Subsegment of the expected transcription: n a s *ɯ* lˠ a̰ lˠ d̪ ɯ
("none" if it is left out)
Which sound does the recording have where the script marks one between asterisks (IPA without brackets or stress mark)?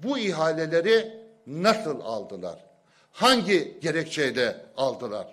ɯ